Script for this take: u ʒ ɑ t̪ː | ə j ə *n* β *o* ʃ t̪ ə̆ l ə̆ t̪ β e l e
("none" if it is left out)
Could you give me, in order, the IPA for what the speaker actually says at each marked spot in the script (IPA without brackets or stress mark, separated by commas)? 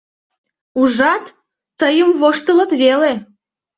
m, o